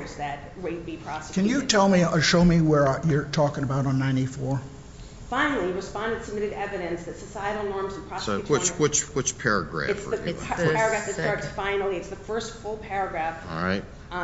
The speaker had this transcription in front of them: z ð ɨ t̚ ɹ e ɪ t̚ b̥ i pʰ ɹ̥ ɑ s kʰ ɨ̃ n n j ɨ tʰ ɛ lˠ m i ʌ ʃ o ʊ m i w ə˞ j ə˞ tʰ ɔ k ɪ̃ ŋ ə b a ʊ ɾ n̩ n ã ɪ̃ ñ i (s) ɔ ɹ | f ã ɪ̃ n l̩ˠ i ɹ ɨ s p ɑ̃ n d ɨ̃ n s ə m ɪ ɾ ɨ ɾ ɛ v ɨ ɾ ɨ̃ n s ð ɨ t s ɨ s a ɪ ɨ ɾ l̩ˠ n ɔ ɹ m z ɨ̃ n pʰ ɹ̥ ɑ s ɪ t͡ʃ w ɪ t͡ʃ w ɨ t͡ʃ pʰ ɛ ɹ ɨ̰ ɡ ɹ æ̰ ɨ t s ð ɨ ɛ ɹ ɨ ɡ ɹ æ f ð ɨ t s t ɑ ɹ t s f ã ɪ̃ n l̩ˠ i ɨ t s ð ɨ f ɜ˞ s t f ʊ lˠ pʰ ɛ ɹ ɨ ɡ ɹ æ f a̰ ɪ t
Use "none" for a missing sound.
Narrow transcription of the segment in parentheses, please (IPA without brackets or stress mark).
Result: f